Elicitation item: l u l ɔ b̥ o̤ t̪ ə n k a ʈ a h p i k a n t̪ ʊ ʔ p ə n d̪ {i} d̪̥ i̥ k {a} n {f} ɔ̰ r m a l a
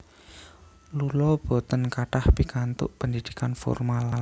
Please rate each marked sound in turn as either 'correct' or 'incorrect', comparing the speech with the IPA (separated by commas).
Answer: correct, correct, correct